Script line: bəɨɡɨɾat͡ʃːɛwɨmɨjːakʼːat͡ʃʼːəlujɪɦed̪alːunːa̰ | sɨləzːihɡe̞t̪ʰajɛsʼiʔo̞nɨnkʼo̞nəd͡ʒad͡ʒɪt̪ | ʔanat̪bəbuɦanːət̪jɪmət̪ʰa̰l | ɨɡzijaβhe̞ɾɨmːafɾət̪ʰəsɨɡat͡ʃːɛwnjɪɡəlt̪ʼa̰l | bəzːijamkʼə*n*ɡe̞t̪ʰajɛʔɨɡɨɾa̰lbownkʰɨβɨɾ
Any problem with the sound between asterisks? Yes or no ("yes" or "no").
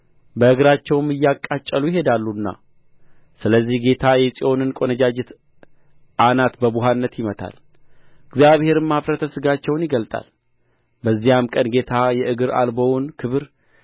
no